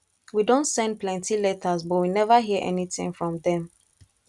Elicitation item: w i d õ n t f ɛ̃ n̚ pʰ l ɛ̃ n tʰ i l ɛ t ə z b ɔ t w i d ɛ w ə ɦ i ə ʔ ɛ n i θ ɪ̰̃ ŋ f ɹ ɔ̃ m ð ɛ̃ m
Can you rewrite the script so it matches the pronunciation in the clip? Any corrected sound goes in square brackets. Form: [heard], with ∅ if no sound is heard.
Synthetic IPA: w i d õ n t [s] ɛ̃ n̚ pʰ l ɛ̃ n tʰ i l ɛ t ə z b ɔ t w i [n] ɛ [v] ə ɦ i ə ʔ ɛ n i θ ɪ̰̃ ŋ f ɹ ɔ̃ m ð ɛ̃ m